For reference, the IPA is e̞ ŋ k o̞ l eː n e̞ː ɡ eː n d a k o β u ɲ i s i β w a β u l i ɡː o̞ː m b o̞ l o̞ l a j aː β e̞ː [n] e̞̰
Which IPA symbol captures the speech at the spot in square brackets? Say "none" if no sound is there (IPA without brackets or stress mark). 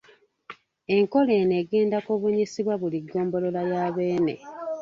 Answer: n